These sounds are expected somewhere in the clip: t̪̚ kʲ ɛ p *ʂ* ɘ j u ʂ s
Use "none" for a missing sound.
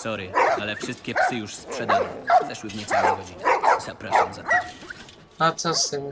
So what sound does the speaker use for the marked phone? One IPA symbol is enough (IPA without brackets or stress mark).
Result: s